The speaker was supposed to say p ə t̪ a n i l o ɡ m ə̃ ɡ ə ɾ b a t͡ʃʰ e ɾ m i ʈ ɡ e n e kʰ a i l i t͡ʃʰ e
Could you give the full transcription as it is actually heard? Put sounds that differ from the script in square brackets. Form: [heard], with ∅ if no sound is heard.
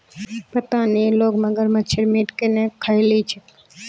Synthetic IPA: p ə t̪ a n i l o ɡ m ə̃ ɡ ə ɾ [m] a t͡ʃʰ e ɾ m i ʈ [k] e n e kʰ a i l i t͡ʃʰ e